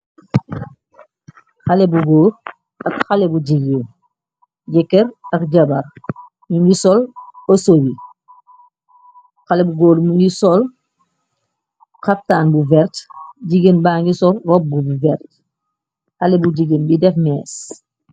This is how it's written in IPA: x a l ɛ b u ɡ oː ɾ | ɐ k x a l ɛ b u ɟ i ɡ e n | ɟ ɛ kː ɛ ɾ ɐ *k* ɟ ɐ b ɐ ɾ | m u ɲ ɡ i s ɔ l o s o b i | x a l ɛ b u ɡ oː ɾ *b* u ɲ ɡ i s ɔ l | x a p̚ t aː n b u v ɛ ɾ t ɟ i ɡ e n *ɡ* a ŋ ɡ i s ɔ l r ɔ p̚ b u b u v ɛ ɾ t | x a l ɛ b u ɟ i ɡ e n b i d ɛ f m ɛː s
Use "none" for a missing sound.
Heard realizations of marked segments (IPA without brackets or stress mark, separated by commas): k, m, b